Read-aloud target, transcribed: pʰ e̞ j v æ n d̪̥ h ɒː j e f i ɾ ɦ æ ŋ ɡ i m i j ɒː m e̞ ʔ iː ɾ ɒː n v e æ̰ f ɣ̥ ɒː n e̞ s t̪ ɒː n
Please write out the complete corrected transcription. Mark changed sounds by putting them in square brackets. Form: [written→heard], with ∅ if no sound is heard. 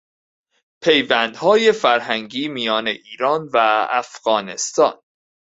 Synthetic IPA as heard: pʰ e̞ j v æ n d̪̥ h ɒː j e f [i→æ] ɾ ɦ æ ŋ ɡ [i→iː] m i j ɒː [m→n] e̞ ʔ iː ɾ ɒː n v [e→æ] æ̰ f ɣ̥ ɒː n e̞ s t̪ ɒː n